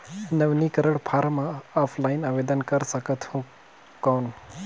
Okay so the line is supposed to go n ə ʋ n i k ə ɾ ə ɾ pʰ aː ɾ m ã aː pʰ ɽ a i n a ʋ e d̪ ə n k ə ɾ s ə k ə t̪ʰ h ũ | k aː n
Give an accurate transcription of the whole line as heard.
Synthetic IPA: n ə ʋ n i k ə ɾ ə ɽ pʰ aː ɾ m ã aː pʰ l a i n a ʋ e d̪ ə n k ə ɾ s ə k ə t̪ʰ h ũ | k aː n